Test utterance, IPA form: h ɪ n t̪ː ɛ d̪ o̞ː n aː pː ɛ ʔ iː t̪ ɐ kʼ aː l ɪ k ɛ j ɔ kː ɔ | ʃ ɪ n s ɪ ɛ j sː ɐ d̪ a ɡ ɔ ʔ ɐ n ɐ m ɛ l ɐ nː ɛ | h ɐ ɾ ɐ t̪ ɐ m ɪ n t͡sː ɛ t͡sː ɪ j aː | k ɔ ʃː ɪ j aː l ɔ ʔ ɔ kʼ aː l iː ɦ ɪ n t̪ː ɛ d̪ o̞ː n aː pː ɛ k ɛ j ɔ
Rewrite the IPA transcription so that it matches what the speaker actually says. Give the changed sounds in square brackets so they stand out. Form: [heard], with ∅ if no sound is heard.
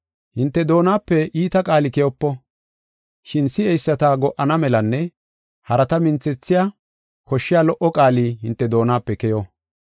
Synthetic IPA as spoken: h ɪ n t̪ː ɛ d̪ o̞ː n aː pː ɛ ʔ iː t̪ ɐ kʼ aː l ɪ k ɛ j ɔ [pː] ɔ | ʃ ɪ n s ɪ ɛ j sː ɐ [t̪] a ɡ ɔ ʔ ɐ n ɐ m ɛ l ɐ nː ɛ | h ɐ ɾ ɐ t̪ ɐ m ɪ n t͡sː ɛ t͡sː ɪ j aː | k ɔ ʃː ɪ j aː l ɔ ʔ ɔ kʼ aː l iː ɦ ɪ n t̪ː ɛ d̪ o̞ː n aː pː ɛ k ɛ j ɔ